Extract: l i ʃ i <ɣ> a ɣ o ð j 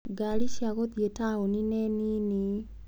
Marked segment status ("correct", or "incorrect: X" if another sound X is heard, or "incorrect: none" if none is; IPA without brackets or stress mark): incorrect: none